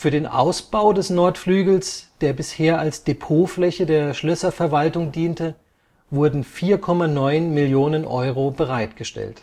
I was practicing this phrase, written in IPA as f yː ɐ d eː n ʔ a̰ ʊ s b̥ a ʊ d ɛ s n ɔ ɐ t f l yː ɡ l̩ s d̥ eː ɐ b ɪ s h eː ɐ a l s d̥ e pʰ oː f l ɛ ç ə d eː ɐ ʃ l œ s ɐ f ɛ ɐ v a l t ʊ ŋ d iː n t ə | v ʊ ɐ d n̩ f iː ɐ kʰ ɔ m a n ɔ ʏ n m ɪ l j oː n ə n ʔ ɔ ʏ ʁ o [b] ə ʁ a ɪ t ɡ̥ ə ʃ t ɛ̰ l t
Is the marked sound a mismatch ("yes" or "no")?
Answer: no